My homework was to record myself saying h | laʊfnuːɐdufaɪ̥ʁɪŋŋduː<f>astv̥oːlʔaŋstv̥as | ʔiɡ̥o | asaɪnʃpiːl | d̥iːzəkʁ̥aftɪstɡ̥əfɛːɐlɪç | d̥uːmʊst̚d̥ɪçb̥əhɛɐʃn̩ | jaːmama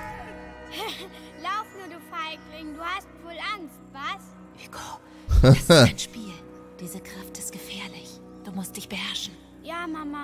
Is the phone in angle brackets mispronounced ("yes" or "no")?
yes